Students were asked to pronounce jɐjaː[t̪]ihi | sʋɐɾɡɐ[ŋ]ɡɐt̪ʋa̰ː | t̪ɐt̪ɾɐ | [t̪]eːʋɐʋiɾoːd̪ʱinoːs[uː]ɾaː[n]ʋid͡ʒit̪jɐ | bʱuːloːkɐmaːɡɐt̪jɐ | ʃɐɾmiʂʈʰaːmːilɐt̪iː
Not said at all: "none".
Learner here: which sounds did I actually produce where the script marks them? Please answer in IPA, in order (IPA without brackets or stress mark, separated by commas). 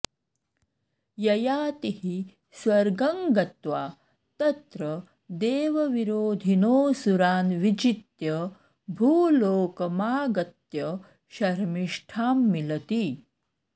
t̪, ŋ, d̪, u, n